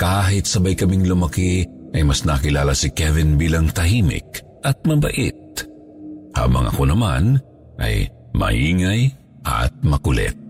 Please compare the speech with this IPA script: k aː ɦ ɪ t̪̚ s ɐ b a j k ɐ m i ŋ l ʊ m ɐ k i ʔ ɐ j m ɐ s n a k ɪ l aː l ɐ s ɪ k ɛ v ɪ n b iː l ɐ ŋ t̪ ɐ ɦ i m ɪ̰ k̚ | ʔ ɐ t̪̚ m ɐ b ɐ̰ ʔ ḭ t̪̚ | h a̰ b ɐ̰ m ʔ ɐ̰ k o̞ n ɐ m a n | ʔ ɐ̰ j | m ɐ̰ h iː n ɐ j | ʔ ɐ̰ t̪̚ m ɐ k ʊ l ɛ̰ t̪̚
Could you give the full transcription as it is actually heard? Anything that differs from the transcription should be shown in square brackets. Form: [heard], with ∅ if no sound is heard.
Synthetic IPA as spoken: k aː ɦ ɪ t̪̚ s ɐ b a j k ɐ m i ŋ l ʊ m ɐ k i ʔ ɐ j m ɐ s n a k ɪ l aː l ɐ s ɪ k ɛ v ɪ n b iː l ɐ ŋ t̪ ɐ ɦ i m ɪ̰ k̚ | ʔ ɐ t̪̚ m ɐ b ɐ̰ ʔ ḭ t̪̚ | h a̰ b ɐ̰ [ŋ] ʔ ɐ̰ k o̞ n ɐ m a n | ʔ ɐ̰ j | m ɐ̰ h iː [ŋ] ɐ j | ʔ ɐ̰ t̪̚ m ɐ k ʊ l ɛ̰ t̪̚